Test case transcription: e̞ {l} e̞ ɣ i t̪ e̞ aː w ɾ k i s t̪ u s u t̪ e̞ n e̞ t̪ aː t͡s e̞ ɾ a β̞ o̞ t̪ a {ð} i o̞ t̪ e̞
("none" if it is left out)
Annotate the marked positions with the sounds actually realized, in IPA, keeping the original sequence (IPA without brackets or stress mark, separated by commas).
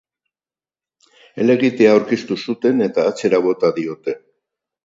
l, ð